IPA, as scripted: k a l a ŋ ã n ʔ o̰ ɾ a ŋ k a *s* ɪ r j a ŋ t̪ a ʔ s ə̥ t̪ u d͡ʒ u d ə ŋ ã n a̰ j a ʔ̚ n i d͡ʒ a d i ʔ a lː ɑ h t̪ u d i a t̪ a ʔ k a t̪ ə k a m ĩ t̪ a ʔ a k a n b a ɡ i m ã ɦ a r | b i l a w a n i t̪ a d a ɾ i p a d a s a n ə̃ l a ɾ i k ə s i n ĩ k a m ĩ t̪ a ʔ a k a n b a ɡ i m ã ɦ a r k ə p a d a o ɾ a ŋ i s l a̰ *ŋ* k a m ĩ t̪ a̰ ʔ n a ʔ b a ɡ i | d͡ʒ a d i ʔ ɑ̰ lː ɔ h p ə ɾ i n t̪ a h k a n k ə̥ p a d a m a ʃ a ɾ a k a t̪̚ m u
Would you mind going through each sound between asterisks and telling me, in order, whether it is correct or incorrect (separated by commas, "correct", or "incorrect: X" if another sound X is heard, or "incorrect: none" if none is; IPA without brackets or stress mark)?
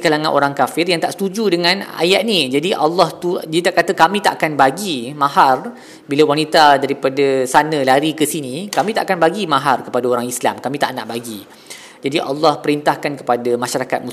incorrect: f, incorrect: m